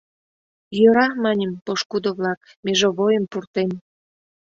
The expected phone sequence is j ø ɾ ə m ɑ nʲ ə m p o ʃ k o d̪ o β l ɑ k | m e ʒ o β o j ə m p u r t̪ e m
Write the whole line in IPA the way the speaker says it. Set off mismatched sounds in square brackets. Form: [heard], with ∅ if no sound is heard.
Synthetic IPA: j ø ɾ [ɑ] m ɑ nʲ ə m p o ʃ k [u] d̪ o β l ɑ k | m e ʒ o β o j ə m p u r t̪ e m